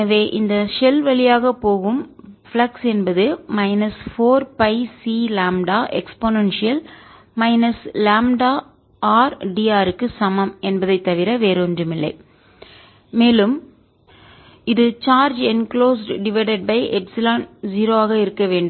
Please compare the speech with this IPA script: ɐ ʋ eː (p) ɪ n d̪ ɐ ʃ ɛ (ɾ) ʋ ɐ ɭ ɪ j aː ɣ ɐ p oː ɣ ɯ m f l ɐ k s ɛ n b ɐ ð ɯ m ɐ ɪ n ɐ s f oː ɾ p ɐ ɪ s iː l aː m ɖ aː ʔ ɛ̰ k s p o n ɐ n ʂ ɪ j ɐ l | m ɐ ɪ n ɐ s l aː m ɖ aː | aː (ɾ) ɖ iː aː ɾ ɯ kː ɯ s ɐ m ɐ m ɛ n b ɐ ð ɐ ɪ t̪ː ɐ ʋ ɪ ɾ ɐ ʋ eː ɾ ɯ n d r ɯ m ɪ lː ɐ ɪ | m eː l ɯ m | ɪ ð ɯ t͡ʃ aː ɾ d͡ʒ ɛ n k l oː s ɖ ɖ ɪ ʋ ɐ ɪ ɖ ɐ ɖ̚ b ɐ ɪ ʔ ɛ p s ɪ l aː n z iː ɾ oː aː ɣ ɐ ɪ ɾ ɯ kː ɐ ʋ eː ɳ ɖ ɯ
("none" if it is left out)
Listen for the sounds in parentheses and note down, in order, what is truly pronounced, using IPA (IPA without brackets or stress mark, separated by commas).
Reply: ʔ, l, ɾ